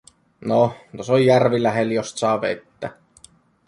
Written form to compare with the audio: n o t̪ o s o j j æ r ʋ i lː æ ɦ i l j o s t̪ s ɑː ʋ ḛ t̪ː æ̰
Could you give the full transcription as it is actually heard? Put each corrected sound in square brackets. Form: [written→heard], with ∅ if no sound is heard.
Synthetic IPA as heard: n o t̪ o s o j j æ r ʋ i [lː→l] æ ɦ [i→e] l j o s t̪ s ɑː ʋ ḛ t̪ː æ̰